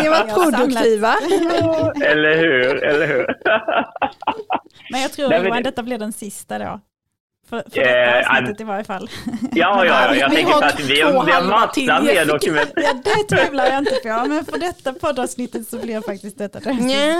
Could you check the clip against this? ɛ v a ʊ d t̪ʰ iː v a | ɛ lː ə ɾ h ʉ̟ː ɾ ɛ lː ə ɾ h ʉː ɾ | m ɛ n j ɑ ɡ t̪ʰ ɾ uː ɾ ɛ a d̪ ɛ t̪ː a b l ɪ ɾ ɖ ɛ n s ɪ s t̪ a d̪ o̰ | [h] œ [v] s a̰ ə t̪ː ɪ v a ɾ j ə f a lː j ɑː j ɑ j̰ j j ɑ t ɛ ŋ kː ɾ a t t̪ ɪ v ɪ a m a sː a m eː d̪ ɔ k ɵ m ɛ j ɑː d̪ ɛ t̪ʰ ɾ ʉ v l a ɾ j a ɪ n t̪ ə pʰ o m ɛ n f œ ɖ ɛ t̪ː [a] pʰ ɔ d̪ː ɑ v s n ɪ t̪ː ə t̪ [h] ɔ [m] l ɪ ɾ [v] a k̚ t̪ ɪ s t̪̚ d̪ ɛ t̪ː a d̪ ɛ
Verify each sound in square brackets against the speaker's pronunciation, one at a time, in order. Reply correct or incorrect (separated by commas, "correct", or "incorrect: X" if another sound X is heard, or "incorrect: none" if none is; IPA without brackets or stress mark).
incorrect: f, incorrect: f, correct, incorrect: s, incorrect: b, incorrect: f